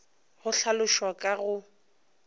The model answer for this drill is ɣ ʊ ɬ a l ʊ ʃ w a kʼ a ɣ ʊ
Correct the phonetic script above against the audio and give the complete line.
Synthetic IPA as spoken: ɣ ʊ ɬ a l ʊ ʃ w a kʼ a ɣ ʊ

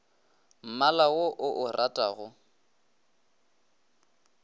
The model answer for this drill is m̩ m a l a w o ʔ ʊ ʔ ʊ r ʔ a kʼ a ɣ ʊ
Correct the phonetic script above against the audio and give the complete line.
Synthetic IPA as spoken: m̩ m a l a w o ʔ ʊ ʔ ʊ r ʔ a tʼ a ɣ ʊ

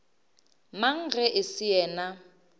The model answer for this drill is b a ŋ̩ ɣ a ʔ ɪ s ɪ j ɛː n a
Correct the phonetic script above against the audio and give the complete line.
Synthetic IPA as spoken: m a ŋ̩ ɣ ɛ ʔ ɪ s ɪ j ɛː n a

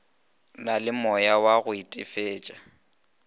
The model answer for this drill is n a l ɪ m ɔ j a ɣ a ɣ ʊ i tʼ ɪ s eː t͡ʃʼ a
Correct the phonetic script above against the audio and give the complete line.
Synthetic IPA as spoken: n a l ɪ m ɔ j a w a ɣ ʊ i tʼ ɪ f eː t͡ʃʼ a

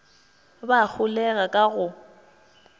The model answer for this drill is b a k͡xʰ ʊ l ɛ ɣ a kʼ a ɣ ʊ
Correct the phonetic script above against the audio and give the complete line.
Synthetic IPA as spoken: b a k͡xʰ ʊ l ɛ ɣ a kʼ a ɣ ʊ

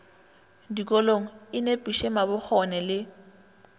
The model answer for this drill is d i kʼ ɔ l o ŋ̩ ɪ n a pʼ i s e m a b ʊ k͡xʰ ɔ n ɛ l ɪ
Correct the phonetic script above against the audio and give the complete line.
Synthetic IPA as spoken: d i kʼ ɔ l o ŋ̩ ɪ n e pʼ i ʃ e m a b ʊ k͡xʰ ɔ n ɛ l ɪ

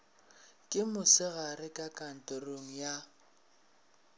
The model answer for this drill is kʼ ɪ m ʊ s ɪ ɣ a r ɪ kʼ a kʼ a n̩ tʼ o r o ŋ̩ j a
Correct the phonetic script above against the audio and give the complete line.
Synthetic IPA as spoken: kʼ ɪ m ʊ s ɪ ɣ a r ɪ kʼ a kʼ a n̩ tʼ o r o ŋ̩ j a

